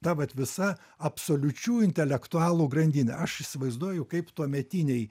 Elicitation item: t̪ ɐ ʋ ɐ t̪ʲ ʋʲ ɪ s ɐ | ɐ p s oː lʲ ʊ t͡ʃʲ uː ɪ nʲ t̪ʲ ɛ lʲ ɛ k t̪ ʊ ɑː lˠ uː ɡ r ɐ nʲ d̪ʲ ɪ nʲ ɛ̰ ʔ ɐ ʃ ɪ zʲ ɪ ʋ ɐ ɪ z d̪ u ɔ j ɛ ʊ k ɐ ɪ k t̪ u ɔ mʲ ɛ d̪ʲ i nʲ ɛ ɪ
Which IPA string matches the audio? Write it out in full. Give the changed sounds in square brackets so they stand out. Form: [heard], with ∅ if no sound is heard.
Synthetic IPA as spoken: t̪ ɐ ʋ ɐ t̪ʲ ʋʲ ɪ s ɐ | ɐ p s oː lʲ ʊ t͡ʃʲ uː ɪ nʲ t̪ʲ ɛ lʲ ɛ k t̪ ʊ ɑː lˠ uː ɡ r ɐ nʲ d̪ʲ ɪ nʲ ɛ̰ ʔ ɐ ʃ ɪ [sʲ] ɪ ʋ ɐ ɪ z d̪ u ɔ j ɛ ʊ k ɐ ɪ [p] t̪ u ɔ mʲ ɛ [t̪ʲ] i nʲ ɛ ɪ